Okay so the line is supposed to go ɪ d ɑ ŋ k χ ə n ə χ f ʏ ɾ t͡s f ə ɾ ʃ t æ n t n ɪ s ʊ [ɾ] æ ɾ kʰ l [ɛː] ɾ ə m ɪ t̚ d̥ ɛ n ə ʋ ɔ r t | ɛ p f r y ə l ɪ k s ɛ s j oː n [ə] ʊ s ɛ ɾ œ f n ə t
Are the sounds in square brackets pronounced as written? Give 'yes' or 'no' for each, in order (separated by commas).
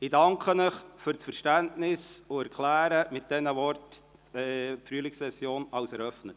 no, no, no